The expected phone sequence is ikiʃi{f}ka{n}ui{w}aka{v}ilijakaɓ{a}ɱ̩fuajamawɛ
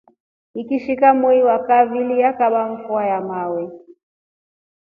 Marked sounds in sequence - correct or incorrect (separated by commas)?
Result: incorrect, incorrect, correct, correct, correct